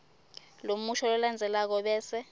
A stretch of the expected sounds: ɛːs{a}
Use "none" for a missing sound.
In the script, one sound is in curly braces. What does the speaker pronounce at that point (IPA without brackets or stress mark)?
ɛ